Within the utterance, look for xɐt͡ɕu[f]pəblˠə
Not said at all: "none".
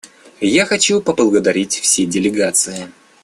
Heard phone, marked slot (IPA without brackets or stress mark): none